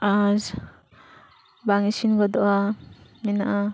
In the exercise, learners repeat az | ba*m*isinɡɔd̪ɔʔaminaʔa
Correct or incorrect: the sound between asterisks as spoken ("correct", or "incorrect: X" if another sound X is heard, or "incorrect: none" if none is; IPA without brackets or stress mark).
incorrect: ŋ